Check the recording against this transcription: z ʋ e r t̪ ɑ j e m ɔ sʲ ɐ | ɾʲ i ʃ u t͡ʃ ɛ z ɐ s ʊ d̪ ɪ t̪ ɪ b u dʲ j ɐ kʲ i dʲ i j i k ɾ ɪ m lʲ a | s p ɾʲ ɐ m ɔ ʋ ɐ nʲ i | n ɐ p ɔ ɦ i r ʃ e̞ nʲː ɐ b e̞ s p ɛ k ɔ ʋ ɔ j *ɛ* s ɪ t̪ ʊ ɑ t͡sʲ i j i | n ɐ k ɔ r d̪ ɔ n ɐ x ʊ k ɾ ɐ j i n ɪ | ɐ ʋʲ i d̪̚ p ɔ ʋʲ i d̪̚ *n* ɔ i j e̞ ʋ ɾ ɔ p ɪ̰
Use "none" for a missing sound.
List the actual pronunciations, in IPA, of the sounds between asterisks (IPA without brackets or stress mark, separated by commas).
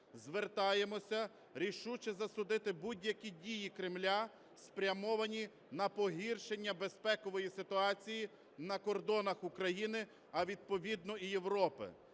i, n